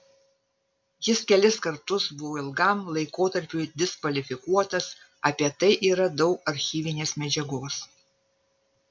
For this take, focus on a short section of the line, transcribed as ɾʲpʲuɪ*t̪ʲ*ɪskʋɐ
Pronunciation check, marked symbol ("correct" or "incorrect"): incorrect